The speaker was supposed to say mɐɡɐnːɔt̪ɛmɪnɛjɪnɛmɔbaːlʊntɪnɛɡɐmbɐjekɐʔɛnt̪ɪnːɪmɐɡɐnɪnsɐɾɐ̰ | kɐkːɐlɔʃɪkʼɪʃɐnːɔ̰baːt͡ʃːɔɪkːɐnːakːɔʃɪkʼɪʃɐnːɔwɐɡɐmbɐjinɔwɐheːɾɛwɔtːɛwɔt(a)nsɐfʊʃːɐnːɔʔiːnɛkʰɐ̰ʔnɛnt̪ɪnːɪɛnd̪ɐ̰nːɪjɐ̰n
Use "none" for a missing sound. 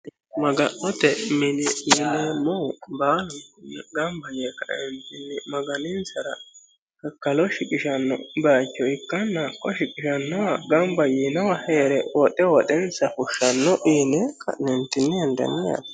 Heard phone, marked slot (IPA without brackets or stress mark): ɛ